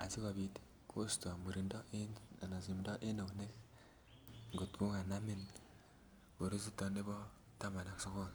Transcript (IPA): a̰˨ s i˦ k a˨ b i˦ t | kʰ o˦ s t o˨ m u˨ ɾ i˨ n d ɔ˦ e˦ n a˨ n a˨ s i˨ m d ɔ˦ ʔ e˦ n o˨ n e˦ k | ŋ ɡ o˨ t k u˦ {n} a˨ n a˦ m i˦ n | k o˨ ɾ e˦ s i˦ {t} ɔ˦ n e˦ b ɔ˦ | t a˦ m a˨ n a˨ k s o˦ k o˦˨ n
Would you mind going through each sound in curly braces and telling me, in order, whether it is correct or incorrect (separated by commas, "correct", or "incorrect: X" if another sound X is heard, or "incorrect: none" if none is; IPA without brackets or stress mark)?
incorrect: ŋ, correct